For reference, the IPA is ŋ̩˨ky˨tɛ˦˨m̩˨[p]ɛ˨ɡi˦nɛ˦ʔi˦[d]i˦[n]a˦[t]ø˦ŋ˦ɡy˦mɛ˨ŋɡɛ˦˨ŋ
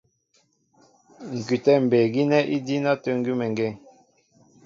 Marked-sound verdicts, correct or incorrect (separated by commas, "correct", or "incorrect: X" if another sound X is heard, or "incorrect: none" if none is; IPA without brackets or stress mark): incorrect: b, correct, correct, correct